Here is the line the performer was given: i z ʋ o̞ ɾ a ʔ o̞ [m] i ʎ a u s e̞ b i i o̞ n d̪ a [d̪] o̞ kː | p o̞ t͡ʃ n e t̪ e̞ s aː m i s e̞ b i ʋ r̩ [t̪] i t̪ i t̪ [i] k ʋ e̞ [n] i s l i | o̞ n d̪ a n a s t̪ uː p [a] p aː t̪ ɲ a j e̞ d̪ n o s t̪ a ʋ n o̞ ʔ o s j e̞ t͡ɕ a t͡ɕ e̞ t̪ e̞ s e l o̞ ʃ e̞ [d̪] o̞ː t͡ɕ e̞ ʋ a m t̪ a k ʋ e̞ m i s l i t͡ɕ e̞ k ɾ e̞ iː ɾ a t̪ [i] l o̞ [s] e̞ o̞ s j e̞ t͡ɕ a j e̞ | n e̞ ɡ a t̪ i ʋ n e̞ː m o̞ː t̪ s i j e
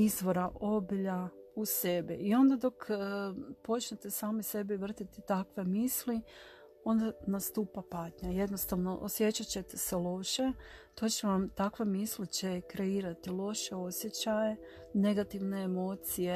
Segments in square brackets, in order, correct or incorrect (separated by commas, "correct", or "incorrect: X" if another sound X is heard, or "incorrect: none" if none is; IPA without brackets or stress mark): incorrect: b, correct, correct, incorrect: a, incorrect: m, correct, incorrect: t̪, correct, incorrect: ʃ